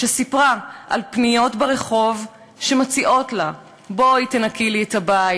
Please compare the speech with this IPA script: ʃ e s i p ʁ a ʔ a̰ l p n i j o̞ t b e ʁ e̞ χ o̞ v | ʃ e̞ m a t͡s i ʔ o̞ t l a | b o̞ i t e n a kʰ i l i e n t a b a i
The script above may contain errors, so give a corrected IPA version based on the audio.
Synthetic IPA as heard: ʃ e s i p ʁ a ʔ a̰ l p n i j o̞ t b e ʁ e̞ χ o̞ v | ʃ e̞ m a t͡s i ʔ o̞ t l a | b o̞ i t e n a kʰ i l i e t a b a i